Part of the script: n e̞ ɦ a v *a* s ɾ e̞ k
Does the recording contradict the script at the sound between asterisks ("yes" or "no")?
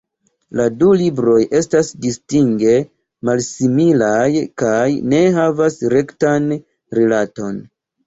no